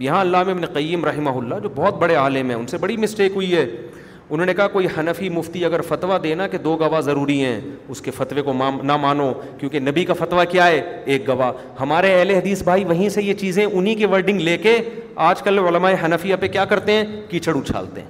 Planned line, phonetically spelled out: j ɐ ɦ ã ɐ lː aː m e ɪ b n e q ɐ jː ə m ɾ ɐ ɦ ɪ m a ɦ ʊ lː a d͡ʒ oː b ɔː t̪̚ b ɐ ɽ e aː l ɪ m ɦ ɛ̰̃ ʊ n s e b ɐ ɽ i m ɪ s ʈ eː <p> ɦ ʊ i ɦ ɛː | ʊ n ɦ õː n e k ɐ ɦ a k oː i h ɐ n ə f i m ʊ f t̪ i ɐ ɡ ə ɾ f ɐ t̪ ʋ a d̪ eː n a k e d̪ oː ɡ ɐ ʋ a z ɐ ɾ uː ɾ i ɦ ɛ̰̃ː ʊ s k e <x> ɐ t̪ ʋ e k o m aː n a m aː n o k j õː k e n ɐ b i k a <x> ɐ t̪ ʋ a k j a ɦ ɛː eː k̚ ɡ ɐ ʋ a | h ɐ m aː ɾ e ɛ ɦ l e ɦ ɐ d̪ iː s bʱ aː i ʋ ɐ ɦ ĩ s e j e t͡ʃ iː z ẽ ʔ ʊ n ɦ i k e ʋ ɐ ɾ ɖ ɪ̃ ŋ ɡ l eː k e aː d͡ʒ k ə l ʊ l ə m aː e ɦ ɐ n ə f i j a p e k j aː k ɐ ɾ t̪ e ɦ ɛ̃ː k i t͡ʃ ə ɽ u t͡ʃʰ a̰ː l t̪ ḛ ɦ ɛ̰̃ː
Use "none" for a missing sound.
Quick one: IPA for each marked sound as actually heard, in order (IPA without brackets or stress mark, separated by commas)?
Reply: k, f, f